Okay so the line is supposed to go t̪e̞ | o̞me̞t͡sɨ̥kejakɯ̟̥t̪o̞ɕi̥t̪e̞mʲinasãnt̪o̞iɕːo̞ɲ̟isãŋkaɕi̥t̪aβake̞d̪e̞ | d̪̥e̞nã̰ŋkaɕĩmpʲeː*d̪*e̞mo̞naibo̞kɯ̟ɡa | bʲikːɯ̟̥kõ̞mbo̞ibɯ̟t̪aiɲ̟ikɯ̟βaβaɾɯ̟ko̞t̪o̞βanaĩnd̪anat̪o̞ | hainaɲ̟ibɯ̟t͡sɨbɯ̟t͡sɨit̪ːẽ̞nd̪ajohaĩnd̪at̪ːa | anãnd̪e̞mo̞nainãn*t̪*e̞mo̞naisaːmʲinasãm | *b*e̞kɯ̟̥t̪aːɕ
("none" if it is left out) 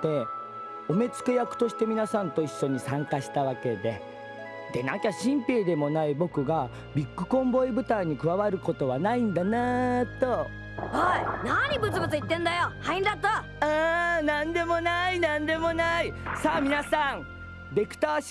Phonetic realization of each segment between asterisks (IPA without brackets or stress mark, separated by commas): d̪, d̪, b